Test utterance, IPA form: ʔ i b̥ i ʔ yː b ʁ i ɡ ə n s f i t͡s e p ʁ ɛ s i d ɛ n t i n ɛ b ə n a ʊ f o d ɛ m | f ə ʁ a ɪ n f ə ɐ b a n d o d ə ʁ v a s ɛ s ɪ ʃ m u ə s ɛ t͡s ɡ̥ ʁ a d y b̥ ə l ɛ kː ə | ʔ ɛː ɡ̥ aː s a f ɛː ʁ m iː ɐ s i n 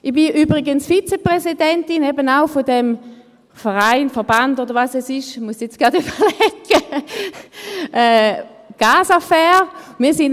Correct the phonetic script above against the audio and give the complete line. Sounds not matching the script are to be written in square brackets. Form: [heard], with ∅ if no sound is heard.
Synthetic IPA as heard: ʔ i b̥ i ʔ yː b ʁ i ɡ ə n s f i t͡s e p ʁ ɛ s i d ɛ n t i n ɛ b ə n a ʊ f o d ɛ m | f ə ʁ a ɪ n f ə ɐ b a n d o d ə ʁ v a s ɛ s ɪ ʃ m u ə s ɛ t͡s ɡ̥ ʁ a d y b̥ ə l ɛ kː ə | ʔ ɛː ɡ̥ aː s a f ɛː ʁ m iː ɐ s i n